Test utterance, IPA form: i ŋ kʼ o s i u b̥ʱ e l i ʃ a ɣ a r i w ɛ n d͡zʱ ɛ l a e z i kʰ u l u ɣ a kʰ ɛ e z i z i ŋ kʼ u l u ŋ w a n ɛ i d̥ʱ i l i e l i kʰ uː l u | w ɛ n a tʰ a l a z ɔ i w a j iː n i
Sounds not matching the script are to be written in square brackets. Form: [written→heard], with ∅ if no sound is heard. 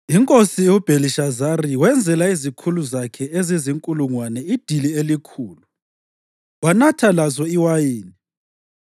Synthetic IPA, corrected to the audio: i ŋ kʼ o s i u b̥ʱ e l i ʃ a [ɣ→z] a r i w ɛ n d͡zʱ ɛ l a [e→i] z i kʰ u l u [ɣ→z] a kʰ ɛ e z i z i ŋ kʼ u l u ŋ w a n ɛ i d̥ʱ i l i e l i kʰ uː l u | w [ɛ→a] n a tʰ a l a z ɔ i w a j iː n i

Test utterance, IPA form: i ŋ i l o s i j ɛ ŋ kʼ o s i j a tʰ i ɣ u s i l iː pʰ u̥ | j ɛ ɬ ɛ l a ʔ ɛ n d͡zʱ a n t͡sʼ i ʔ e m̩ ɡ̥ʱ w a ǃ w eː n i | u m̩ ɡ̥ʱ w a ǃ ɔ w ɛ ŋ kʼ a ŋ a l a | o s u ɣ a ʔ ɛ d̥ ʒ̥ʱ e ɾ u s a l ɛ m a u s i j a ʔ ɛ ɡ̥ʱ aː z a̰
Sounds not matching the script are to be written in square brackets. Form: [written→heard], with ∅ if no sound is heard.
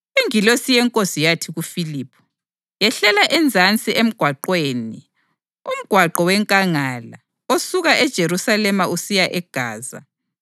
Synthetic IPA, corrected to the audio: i ŋ i l o s i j ɛ ŋ kʼ o s i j a tʰ i ɣ u [s→f] i l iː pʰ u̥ | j ɛ ɬ ɛ l a ʔ ɛ n d͡zʱ a n t͡sʼ i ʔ e m̩ ɡ̥ʱ w a ǃ w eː n i | u m̩ ɡ̥ʱ w a ǃ ɔ w ɛ ŋ kʼ a ŋ a l a | o s u ɣ a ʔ ɛ d̥ ʒ̥ʱ e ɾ u s a l ɛ m a u s i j a ʔ ɛ ɡ̥ʱ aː z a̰

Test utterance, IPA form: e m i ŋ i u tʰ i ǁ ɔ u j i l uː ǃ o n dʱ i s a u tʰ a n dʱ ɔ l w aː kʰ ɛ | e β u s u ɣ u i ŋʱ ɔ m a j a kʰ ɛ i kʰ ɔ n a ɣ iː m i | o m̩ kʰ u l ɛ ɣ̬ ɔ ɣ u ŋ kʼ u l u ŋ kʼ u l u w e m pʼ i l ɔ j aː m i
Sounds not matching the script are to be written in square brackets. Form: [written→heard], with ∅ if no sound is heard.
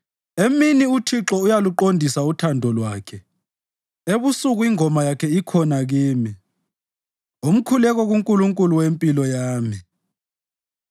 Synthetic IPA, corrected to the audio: e m i [ŋ→n] i u tʰ i ǁ ɔ u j [i→a] l [uː→u] ǃ o n dʱ i s a u tʰ a n dʱ ɔ l w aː kʰ ɛ | e β u s u ɣ u i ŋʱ ɔ m a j a kʰ ɛ i kʰ ɔ n a ɣ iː m i | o m̩ kʰ u l ɛ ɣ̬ ɔ ɣ u ŋ kʼ u l u ŋ kʼ u l u w e m pʼ i l ɔ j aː m i

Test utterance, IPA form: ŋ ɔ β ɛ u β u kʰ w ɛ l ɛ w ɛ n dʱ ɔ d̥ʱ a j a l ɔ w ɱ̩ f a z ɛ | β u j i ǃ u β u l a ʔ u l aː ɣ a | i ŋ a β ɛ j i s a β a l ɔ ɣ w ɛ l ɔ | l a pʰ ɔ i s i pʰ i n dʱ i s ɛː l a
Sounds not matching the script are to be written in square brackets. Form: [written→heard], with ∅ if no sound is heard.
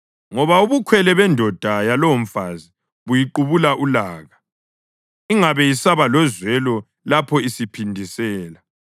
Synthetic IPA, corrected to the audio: ŋ ɔ β [ɛ→a] u β u kʰ w ɛ l ɛ [w→β] ɛ n dʱ ɔ d̥ʱ a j a l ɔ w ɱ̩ f a z [ɛ→i] | β u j i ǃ u β u l a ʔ u l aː ɣ a | i ŋ a β ɛ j i s a β a l ɔ [ɣ→z] w ɛ l ɔ | l a pʰ ɔ i s i pʰ i n dʱ i s ɛː l a

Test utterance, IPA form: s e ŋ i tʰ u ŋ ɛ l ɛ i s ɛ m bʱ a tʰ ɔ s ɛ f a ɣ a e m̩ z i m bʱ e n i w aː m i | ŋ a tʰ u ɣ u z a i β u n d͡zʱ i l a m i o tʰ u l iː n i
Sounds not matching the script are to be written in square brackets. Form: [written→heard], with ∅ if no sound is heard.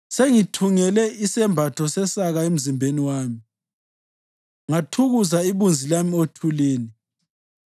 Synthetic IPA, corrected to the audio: s e ŋ i tʰ u ŋ ɛ l ɛ i s ɛ m bʱ a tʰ ɔ s ɛ [f→s] a ɣ a e m̩ z i m bʱ e n i w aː m i | ŋ a tʰ u ɣ u z a i β u n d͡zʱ i l a m i o tʰ u l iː n i

